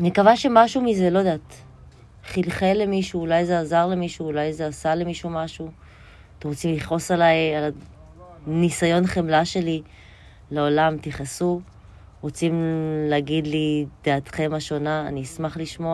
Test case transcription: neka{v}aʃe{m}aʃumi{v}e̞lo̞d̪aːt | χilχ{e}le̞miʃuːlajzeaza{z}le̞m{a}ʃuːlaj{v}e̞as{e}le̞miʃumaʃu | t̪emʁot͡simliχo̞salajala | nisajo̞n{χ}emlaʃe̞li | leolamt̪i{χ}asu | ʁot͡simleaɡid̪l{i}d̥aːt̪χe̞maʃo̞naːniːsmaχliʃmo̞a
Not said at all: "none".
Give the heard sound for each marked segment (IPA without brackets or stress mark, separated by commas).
v, m, z, e, ʁ, i, z, a, χ, χ, i